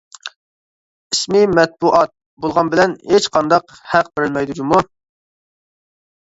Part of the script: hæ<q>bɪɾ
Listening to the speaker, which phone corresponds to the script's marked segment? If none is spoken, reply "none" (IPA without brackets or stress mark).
q